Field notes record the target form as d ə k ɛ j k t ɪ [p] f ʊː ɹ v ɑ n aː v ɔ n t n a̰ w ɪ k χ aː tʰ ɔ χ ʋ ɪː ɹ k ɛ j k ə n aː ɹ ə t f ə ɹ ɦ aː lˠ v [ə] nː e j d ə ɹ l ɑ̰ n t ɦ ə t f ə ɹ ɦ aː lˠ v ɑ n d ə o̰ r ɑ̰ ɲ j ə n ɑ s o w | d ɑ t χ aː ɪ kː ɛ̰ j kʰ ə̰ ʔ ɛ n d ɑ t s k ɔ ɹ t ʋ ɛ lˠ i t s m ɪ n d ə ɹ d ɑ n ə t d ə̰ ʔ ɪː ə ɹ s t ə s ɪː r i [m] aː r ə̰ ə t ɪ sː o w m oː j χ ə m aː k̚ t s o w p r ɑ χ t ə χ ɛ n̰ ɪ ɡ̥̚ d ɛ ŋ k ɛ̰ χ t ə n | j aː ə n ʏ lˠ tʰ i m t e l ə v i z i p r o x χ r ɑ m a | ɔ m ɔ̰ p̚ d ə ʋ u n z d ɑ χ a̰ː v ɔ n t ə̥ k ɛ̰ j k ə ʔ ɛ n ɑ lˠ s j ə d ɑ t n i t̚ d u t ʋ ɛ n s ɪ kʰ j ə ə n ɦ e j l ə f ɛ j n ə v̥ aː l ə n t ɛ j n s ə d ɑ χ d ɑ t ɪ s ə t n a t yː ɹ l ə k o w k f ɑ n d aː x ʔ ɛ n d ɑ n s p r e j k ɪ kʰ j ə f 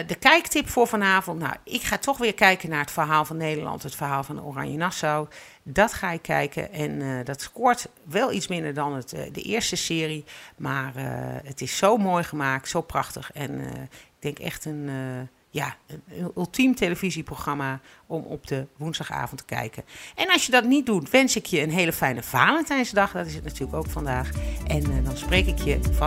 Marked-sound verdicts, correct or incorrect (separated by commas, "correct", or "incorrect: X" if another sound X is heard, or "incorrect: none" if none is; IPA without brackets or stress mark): correct, incorrect: ɑ, correct